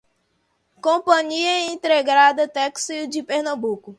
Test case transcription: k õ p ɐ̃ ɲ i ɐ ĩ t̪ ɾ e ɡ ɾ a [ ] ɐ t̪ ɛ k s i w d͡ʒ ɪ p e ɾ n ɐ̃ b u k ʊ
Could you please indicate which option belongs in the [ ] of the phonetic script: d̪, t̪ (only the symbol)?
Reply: d̪